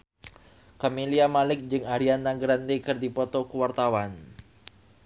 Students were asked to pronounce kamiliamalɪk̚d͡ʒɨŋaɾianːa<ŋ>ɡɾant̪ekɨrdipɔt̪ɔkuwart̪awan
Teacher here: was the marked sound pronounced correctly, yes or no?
yes